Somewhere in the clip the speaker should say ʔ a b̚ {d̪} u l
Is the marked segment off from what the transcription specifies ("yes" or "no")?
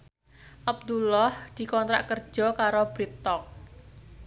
no